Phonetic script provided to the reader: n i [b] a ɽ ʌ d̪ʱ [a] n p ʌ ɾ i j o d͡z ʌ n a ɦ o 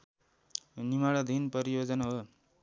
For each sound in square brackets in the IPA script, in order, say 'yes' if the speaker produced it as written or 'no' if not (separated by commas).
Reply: no, no